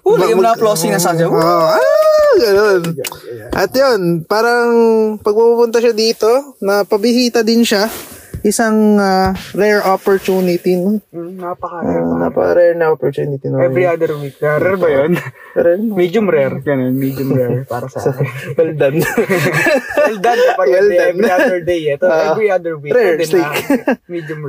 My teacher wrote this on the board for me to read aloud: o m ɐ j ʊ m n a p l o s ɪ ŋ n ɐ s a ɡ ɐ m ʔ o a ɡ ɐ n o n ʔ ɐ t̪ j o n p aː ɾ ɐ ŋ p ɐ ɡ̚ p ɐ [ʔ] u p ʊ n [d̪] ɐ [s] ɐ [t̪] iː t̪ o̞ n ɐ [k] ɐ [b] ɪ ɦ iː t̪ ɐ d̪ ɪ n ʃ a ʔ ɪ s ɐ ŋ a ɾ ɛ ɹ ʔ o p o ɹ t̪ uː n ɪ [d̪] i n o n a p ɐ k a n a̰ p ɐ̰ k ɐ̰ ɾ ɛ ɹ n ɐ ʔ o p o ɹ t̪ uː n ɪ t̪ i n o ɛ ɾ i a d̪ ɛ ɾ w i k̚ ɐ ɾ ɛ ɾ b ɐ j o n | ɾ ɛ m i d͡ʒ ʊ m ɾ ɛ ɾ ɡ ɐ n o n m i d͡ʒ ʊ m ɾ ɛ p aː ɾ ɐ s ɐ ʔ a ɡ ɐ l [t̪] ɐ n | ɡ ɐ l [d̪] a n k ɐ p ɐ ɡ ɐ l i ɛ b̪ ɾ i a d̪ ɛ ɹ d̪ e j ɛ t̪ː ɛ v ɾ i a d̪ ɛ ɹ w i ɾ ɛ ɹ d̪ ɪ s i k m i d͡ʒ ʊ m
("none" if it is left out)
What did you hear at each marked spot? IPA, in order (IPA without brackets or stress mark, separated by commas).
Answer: p, t̪, ʃ, d̪, p, b, t̪, d̪, d̪